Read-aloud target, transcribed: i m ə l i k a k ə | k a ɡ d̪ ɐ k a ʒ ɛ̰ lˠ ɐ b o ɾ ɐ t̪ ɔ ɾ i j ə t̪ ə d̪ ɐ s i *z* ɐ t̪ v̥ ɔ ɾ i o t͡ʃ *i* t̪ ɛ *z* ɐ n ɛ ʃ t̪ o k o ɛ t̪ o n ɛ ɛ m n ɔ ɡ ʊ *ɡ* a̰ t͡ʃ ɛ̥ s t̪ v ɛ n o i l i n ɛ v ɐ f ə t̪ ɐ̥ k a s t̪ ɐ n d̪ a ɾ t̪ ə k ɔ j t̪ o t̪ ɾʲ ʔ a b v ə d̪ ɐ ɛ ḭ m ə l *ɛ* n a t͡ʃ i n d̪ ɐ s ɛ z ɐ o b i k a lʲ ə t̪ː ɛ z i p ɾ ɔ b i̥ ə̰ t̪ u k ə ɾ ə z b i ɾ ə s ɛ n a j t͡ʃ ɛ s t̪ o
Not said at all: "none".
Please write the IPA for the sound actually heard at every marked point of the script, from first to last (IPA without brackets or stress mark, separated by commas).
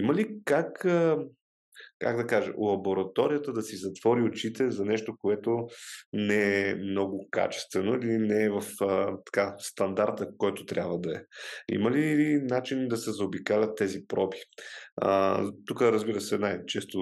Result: z, i, z, k, i